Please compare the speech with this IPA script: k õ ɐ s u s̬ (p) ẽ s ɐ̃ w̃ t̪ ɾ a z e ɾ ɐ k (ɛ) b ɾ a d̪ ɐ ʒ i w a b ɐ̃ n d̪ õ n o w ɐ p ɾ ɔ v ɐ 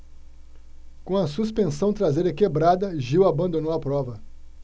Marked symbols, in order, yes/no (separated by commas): yes, no